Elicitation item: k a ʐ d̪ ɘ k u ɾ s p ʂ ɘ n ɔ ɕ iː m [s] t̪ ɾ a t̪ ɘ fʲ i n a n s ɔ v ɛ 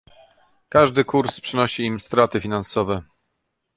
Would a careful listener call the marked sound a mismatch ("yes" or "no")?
no